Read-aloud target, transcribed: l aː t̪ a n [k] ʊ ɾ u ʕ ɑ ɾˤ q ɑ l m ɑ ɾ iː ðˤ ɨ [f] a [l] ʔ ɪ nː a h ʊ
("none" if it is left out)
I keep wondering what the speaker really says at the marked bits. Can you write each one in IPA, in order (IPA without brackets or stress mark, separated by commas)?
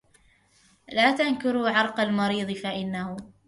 k, f, none